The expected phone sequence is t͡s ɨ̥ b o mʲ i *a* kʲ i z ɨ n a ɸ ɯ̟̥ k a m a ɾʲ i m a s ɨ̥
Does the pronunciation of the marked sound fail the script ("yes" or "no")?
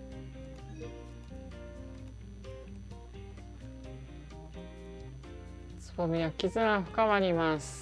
no